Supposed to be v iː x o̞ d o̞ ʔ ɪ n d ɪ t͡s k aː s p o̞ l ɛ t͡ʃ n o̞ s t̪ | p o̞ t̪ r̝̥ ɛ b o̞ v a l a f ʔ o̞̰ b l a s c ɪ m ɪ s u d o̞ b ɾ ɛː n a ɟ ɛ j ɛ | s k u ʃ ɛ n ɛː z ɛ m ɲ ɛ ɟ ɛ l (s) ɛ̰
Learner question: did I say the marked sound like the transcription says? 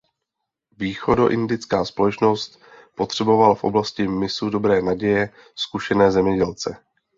no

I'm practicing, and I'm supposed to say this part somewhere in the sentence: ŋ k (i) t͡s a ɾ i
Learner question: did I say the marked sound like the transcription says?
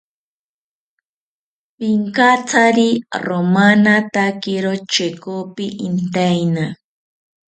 no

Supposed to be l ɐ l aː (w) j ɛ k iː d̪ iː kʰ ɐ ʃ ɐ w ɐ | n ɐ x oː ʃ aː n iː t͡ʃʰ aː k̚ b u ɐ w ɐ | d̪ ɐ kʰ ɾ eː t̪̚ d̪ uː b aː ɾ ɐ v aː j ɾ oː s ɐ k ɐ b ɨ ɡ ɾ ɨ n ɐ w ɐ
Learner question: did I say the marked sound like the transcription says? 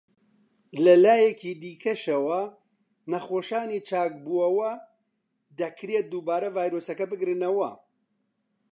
no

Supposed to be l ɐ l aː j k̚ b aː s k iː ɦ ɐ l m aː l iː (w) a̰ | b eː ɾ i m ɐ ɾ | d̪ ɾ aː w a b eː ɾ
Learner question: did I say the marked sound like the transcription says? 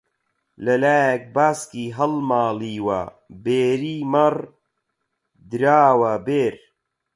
yes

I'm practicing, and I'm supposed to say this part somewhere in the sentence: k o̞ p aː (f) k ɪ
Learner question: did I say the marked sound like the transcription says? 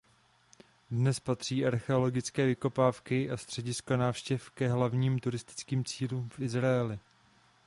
yes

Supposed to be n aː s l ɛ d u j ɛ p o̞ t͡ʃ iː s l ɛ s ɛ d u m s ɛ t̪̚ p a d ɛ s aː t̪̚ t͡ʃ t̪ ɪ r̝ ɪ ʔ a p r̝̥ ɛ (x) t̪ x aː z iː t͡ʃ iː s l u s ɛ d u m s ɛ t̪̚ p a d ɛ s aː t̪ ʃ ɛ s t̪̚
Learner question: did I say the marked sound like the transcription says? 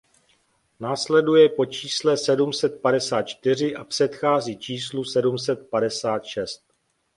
no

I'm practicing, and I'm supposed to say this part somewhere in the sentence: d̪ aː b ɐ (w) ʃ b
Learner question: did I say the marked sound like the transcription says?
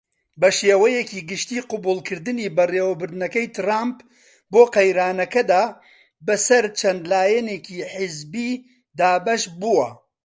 no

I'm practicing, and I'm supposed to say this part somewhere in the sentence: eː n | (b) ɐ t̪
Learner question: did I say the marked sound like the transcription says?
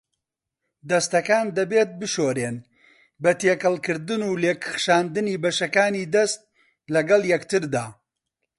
yes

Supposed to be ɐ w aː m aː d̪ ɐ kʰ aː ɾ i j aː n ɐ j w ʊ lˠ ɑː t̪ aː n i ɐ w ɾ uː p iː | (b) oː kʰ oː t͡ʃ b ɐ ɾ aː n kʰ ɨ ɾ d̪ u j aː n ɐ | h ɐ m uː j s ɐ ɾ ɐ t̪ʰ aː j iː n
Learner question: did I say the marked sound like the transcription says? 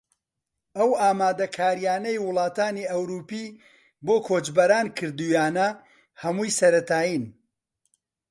yes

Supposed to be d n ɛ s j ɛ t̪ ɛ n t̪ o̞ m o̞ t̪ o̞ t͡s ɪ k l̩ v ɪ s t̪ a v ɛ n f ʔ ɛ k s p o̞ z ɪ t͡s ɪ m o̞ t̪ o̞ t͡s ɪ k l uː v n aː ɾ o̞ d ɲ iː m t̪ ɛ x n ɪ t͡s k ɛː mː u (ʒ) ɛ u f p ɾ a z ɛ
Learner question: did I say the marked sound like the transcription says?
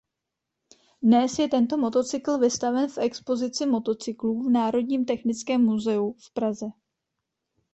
no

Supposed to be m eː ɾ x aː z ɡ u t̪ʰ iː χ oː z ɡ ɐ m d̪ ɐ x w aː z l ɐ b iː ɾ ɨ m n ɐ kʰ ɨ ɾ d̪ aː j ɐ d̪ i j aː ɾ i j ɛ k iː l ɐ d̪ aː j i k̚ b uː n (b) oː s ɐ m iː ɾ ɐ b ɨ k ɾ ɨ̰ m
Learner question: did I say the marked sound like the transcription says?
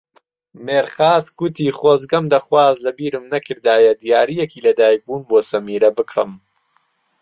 yes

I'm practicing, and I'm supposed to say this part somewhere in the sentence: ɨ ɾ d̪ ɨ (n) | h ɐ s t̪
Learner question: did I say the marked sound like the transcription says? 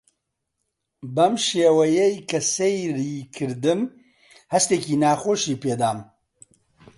no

